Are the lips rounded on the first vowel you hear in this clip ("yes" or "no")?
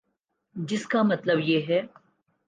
no